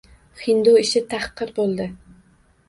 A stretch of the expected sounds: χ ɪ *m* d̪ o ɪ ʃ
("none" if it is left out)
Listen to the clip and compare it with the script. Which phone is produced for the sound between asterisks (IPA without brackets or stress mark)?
n